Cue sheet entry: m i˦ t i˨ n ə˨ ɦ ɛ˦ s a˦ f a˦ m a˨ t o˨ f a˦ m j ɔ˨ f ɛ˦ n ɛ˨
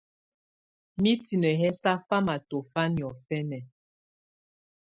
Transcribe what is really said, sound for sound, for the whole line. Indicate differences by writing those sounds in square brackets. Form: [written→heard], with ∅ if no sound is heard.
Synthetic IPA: m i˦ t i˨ n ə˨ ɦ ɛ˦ s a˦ f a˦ m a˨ t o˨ f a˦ [m→n] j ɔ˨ f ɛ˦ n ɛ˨